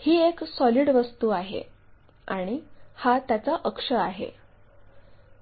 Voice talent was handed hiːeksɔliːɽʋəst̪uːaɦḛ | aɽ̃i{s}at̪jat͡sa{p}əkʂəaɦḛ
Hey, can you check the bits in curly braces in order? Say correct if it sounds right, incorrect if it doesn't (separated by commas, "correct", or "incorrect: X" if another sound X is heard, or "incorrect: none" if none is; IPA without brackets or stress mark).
incorrect: h, incorrect: ʔ